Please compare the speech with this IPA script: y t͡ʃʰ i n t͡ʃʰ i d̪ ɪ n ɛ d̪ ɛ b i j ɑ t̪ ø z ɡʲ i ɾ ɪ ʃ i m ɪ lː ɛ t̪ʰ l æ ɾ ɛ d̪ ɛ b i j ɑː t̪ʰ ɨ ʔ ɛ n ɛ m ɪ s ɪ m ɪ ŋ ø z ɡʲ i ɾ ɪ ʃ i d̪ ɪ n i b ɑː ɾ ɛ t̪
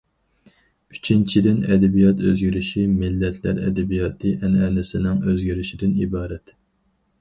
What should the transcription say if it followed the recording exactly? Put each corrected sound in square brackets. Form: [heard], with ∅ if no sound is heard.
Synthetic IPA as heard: y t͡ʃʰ i n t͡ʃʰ i d̪ ɪ n ɛ d̪ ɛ b i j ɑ t̪ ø z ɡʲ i ɾ ɪ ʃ i m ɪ lː ɛ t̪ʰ l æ ɾ ɛ d̪ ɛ b i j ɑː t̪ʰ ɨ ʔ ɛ n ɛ [n] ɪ s ɪ [n] ɪ ŋ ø z ɡʲ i ɾ ɪ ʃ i d̪ ɪ n i b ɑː ɾ ɛ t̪